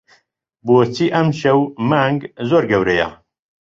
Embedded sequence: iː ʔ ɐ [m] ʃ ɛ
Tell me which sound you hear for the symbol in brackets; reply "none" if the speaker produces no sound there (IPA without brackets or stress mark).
m